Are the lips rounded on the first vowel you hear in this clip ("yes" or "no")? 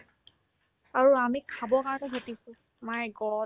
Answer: no